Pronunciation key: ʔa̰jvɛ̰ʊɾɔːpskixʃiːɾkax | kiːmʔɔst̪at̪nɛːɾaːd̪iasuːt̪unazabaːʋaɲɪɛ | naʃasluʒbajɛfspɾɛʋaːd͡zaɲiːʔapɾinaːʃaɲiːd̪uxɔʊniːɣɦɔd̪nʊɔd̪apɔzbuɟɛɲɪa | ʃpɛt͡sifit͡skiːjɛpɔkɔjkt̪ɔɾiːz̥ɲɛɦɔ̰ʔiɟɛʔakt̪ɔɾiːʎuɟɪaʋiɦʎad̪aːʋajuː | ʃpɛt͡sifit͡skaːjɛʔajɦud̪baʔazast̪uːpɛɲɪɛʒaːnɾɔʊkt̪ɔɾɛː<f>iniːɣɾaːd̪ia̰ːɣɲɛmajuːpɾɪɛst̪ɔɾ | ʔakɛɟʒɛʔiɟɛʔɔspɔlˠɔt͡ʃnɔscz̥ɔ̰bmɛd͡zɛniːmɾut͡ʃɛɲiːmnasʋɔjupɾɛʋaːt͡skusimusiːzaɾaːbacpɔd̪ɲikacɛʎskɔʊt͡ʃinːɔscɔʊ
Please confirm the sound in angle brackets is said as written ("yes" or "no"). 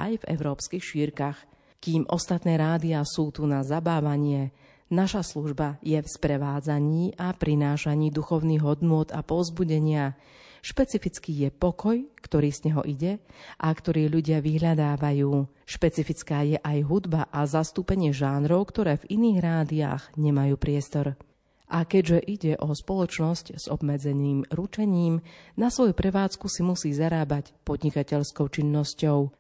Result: no